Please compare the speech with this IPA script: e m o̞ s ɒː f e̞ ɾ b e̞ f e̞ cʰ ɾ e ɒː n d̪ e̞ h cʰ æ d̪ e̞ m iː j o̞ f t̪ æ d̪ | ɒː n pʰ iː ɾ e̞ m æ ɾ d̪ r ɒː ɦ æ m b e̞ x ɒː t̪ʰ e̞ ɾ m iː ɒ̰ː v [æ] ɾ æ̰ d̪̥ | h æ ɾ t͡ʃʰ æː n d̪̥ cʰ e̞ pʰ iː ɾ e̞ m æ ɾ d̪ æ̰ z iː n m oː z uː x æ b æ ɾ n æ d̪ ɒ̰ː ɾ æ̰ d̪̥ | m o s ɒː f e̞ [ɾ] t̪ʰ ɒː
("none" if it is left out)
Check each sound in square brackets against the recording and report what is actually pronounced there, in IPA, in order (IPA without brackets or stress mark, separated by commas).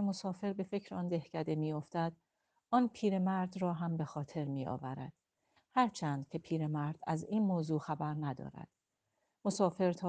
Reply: æ, ɾ